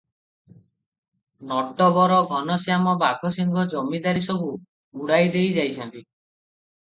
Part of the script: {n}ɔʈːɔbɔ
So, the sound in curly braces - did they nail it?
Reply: yes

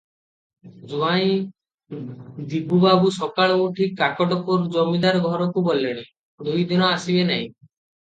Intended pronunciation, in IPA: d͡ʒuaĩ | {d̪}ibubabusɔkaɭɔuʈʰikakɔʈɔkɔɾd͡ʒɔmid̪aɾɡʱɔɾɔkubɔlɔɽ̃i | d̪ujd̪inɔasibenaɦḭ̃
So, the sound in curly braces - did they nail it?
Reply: yes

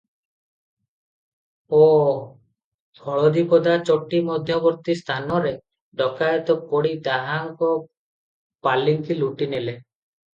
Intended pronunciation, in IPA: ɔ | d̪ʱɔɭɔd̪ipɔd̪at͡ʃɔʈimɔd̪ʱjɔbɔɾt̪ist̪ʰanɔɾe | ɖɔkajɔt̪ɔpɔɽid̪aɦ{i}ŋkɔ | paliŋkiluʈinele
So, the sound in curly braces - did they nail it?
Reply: no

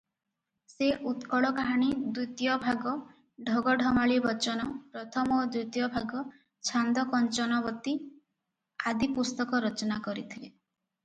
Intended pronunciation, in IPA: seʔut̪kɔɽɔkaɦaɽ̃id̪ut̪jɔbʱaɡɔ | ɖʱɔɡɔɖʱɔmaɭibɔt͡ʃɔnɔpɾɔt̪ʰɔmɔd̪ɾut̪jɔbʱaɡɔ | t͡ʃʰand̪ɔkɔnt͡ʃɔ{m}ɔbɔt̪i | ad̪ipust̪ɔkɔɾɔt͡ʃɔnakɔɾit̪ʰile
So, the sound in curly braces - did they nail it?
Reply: no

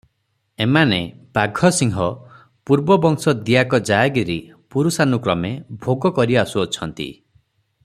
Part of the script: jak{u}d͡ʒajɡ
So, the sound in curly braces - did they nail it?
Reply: no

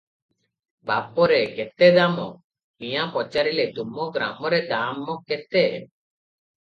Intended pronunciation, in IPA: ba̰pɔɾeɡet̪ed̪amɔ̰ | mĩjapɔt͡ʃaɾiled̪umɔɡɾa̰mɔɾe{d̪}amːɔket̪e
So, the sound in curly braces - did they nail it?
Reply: yes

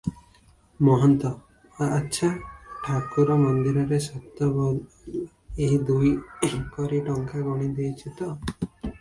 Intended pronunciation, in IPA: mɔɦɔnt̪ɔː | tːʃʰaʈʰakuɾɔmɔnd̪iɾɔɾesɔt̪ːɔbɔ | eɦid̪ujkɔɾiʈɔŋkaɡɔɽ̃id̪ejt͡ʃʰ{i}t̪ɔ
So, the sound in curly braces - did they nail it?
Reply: yes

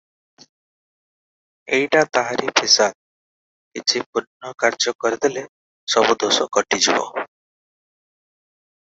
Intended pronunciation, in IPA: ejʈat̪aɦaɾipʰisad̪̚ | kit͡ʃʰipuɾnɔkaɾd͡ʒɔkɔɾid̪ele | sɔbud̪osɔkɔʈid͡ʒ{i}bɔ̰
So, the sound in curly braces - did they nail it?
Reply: yes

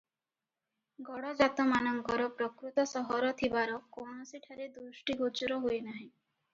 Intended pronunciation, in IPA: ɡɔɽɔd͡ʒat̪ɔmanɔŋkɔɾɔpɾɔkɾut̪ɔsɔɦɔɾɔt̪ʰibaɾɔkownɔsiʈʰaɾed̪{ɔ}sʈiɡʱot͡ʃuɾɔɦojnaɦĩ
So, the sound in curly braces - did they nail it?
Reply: no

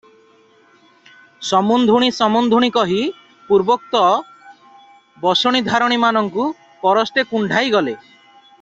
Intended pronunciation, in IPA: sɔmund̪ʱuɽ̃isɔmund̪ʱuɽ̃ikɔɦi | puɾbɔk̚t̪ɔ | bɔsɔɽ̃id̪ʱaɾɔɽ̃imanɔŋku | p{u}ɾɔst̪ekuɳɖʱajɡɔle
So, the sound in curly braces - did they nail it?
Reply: no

